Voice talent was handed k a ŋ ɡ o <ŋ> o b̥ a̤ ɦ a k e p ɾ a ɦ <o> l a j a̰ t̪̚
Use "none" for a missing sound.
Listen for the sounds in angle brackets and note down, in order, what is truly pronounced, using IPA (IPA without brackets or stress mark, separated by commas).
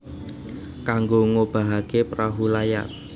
ŋ, u